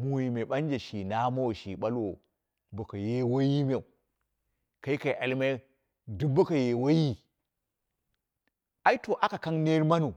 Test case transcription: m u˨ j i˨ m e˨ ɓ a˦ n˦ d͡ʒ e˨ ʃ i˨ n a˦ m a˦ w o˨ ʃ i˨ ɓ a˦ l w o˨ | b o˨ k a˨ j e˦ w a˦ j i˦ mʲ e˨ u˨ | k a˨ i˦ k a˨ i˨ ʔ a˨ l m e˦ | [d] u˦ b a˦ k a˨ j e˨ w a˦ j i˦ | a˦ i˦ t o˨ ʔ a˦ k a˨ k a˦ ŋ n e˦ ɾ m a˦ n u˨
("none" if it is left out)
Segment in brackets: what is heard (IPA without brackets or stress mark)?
d